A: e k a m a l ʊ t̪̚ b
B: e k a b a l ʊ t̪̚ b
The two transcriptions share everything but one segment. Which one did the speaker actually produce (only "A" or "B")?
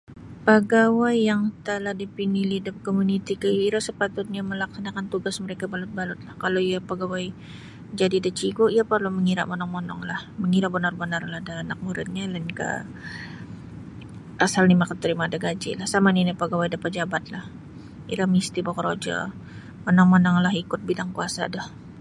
B